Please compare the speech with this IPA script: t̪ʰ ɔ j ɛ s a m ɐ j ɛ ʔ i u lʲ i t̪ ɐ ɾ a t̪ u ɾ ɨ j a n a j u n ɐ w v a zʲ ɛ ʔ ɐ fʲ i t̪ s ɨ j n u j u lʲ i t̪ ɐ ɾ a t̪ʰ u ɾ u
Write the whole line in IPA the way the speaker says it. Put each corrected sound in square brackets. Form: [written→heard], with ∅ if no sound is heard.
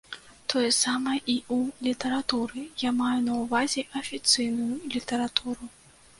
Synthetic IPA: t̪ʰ ɔ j ɛ s a m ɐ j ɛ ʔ i u lʲ i t̪ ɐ ɾ a t̪ u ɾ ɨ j a [n→m] a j u n ɐ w v a zʲ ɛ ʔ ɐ fʲ i t̪ s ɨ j n u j u lʲ i t̪ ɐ ɾ a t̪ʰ u ɾ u